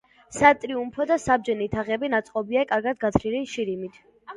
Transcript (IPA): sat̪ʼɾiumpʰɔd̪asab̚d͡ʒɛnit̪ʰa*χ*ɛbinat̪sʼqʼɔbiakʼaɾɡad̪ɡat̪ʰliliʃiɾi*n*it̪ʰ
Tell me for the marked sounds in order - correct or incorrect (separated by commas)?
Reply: incorrect, incorrect